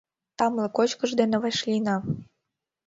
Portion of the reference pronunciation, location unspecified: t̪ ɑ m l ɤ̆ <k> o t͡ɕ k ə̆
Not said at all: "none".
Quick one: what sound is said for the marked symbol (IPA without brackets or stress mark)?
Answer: k